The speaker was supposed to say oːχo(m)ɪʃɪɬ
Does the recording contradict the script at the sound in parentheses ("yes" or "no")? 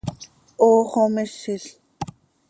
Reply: no